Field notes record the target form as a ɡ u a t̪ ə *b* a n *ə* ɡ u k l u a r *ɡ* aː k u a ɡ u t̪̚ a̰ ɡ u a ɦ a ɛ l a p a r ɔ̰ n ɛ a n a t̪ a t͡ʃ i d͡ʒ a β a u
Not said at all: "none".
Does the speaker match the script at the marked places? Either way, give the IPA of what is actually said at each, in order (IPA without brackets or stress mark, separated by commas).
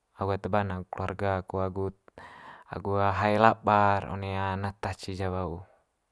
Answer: b, a, ɡ